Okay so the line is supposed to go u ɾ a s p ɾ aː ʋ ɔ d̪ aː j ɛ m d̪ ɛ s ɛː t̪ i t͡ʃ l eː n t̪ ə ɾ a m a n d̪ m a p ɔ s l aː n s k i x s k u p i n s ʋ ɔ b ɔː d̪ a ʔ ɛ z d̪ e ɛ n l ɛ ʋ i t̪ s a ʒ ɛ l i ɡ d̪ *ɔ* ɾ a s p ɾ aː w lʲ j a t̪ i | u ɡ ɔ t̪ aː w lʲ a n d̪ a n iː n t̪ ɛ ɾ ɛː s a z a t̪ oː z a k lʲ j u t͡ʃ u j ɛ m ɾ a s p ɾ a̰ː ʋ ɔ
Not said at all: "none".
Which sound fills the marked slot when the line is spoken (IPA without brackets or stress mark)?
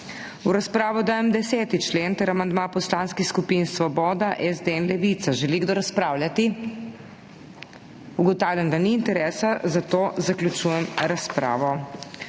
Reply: o